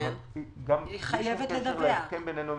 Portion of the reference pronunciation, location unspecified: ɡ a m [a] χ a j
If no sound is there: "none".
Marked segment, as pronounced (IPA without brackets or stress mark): i